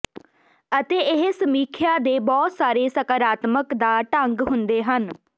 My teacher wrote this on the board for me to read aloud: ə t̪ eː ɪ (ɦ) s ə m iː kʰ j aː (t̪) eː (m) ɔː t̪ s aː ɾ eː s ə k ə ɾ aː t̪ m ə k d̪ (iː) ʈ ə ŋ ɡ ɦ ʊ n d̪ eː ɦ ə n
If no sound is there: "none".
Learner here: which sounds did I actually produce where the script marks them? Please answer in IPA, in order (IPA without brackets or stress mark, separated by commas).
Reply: ɦ, d̪, b, aː